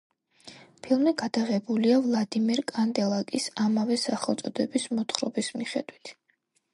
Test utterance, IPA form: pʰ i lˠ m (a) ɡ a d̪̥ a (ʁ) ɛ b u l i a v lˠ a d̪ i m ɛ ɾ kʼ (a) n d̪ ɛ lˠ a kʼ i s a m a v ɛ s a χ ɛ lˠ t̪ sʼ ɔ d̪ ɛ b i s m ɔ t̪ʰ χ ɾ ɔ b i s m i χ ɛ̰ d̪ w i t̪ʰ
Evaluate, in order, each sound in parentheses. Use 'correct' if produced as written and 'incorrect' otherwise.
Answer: incorrect: i, correct, correct

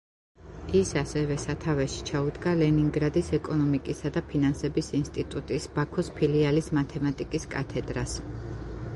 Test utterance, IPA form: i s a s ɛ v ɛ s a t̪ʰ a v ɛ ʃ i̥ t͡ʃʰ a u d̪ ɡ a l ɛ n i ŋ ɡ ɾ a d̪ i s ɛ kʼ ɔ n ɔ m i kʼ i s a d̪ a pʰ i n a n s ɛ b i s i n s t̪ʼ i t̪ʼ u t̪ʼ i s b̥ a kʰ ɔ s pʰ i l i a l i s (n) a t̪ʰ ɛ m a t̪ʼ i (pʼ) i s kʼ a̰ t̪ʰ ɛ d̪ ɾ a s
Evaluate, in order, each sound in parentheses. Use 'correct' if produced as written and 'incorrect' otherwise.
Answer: incorrect: m, incorrect: kʼ

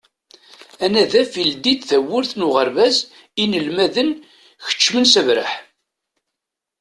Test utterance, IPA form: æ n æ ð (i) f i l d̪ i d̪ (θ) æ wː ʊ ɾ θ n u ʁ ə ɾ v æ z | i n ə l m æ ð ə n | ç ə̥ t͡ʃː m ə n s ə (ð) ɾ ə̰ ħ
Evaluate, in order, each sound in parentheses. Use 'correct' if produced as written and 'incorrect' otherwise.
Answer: incorrect: æ, correct, incorrect: v

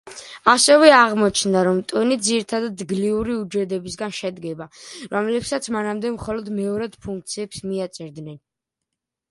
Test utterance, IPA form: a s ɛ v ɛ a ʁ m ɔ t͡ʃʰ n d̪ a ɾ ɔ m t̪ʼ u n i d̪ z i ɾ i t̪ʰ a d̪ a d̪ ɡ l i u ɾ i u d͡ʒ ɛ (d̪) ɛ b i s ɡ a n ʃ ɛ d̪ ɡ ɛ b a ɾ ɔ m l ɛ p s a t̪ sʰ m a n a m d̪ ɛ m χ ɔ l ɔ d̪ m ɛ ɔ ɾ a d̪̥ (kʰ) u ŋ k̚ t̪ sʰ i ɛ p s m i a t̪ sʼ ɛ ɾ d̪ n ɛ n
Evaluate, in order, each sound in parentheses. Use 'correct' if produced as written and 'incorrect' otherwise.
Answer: correct, incorrect: pʰ

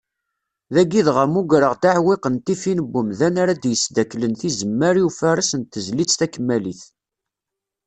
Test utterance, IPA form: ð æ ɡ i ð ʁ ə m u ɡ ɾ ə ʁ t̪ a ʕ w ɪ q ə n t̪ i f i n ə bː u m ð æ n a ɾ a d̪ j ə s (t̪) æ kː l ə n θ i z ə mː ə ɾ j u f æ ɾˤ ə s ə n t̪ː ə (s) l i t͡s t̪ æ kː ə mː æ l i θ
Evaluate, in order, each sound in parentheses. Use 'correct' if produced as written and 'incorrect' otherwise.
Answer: incorrect: d̪, incorrect: z

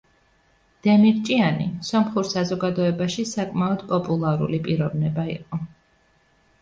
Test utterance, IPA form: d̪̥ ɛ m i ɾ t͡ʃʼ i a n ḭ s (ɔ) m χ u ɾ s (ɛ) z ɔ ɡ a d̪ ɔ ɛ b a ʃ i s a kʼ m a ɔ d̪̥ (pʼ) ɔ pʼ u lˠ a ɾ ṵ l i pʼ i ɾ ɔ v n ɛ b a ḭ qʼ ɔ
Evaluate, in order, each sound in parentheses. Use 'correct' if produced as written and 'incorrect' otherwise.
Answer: correct, incorrect: a, correct

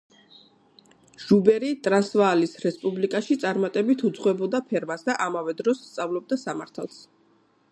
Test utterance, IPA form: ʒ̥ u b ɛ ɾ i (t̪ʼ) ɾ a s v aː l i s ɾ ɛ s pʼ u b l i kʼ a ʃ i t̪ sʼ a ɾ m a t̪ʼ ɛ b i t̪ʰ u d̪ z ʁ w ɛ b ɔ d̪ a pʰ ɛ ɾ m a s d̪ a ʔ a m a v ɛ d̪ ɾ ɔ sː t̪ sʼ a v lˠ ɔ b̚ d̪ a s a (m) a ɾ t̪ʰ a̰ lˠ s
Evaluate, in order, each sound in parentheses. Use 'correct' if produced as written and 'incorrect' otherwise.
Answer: correct, correct

